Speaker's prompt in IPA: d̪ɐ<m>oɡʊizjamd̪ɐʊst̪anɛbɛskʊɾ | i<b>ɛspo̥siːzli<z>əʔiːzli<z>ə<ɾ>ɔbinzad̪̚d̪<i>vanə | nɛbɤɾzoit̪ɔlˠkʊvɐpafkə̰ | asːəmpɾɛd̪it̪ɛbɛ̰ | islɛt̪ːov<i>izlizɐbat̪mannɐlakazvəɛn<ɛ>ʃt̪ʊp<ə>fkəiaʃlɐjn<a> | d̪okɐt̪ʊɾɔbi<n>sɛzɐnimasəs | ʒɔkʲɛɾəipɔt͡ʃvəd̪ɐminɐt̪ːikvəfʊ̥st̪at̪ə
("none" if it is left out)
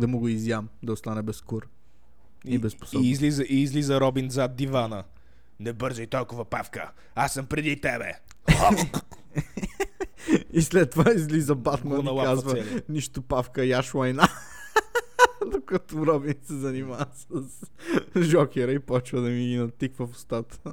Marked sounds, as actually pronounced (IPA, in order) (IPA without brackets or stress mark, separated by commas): m, b, z, z, ɾ, i, a, i, a, a, n